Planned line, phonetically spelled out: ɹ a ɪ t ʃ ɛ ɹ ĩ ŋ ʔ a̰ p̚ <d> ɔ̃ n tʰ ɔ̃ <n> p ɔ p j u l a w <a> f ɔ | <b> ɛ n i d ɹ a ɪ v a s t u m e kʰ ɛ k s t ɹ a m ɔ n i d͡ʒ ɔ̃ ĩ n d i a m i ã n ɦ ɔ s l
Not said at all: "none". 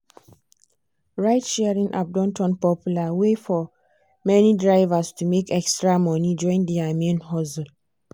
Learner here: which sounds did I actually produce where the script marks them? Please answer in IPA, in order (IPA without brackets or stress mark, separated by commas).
d, n, e, m